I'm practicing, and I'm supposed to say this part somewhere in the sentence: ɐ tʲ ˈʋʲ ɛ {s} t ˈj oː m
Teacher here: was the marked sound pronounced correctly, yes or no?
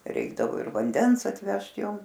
no